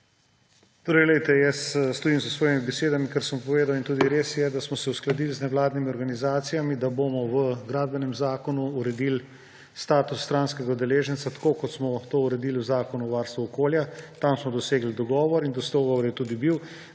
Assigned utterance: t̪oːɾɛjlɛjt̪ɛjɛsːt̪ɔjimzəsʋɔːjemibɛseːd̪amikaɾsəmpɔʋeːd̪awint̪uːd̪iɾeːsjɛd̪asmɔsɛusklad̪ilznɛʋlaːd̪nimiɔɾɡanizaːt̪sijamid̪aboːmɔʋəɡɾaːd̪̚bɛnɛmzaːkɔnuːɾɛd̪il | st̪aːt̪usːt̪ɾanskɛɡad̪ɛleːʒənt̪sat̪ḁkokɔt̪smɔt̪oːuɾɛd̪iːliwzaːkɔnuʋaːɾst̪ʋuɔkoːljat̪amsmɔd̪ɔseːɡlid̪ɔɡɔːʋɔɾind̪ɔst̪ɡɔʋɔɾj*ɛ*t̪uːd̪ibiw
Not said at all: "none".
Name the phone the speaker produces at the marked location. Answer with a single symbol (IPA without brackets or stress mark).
ɛ